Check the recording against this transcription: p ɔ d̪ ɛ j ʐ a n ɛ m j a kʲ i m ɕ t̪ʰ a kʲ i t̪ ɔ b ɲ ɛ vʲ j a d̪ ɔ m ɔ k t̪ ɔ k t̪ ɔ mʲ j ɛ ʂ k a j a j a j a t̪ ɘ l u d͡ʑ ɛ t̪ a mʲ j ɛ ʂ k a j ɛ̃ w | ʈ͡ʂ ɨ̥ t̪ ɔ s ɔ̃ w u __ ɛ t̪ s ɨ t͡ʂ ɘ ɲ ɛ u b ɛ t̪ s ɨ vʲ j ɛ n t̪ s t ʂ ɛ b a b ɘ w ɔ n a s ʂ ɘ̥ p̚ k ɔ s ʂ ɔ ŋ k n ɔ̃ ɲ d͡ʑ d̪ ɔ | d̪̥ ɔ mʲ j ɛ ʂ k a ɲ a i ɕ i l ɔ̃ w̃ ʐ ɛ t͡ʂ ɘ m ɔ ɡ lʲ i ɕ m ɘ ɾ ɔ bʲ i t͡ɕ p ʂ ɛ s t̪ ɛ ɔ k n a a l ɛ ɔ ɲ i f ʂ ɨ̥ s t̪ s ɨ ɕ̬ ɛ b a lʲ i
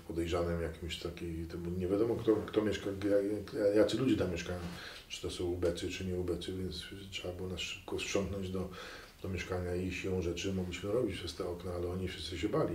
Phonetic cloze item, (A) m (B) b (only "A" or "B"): B